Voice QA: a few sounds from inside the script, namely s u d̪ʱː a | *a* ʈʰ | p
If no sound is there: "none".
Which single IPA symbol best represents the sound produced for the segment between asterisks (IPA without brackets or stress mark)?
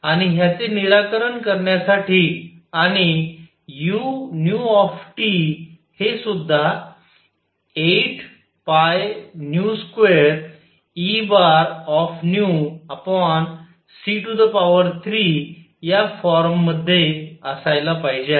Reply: e